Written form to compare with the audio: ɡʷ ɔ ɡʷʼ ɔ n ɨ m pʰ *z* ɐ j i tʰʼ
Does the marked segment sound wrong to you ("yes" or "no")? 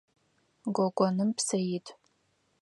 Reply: yes